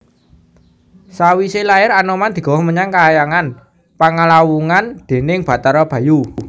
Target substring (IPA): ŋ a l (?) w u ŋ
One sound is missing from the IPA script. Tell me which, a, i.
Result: a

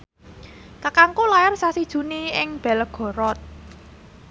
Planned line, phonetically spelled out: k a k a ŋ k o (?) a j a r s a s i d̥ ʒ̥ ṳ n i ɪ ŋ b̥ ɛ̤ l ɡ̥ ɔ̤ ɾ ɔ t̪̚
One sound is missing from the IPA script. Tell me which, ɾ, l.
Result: l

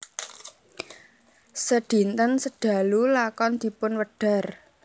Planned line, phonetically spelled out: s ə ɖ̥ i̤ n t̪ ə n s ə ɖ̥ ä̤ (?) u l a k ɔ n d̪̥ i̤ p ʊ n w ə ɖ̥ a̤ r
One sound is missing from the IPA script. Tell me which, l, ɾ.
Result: l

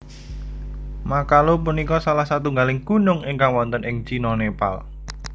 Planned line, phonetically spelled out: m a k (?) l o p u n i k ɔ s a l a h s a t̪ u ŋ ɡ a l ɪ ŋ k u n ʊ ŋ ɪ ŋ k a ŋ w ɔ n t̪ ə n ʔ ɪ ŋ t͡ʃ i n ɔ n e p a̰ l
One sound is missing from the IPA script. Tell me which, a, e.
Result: a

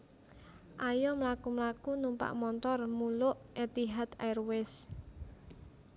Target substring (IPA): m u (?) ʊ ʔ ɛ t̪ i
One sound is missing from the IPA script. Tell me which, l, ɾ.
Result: l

